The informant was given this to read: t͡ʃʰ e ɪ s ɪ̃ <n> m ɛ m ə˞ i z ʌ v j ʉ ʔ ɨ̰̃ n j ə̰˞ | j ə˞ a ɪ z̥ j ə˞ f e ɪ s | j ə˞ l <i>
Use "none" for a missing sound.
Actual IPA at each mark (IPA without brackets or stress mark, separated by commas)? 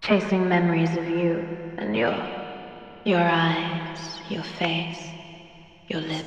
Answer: ŋ, ɪ